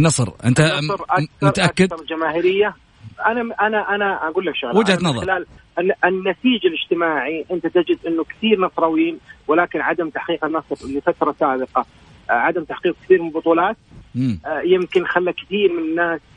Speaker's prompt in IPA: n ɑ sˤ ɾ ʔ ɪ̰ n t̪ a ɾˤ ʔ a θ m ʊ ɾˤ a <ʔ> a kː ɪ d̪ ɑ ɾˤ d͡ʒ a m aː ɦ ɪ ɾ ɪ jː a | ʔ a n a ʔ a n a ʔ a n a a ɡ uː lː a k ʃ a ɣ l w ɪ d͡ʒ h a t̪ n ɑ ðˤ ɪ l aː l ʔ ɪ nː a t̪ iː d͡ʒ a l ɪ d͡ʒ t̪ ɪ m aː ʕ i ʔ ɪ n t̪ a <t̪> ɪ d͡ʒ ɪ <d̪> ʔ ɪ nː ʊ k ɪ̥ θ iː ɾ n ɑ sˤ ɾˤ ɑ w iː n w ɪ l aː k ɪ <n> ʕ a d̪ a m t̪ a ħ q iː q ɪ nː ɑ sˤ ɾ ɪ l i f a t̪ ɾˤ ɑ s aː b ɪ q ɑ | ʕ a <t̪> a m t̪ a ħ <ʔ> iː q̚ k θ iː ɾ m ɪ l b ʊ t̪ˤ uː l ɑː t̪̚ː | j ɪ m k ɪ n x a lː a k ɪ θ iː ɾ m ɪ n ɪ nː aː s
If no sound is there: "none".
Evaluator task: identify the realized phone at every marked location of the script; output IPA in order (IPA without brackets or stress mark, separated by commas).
ʔ, t̪, d̪, n, d̪, q